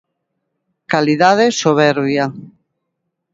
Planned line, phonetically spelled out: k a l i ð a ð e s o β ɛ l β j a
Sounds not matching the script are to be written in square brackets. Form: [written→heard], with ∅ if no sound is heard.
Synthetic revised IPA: k a l i ð a ð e s o β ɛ [l→ɾ] β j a